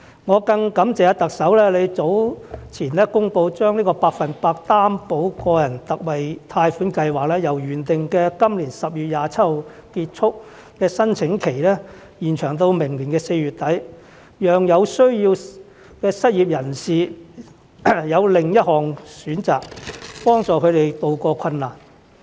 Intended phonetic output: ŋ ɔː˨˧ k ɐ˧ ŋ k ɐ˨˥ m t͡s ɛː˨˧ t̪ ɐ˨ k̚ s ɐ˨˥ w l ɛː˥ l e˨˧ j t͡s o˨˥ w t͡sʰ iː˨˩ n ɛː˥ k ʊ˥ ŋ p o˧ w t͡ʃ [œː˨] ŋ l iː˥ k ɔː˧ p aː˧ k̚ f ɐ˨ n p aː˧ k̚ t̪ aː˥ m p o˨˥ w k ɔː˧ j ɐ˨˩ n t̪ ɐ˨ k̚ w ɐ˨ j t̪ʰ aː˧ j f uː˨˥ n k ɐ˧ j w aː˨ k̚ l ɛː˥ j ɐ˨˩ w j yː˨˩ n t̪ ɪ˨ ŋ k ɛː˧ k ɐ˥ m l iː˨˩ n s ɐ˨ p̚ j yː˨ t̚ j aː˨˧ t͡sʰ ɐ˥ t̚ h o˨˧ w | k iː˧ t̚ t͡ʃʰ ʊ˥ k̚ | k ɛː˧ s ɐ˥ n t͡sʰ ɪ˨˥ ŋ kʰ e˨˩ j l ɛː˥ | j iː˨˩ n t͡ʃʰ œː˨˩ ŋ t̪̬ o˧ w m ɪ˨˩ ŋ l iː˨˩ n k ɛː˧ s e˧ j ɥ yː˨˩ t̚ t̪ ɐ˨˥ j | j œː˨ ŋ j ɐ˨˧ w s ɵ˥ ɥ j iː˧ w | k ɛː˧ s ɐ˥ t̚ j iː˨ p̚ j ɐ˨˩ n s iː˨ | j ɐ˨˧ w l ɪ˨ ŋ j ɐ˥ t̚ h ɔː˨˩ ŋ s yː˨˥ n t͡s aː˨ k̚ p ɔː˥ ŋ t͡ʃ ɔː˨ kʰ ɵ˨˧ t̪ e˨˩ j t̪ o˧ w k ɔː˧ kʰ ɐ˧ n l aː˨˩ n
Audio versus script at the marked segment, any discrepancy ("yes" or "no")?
yes